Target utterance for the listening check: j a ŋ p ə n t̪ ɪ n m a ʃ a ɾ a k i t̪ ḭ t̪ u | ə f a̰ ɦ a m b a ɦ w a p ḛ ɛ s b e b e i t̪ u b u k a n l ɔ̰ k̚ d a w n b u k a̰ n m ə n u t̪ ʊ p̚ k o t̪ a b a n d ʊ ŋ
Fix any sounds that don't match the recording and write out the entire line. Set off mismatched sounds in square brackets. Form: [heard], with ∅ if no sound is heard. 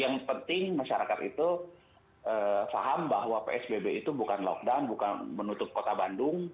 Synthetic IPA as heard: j a ŋ p ə n t̪ ɪ [ŋ] m a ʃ a ɾ a k [a] t̪ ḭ t̪ u | ə f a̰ ɦ a m b a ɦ w a p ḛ ɛ s b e b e i t̪ u b u k a n l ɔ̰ k̚ d a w n b u k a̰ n m ə n u t̪ ʊ p̚ k o t̪ a b a n d ʊ ŋ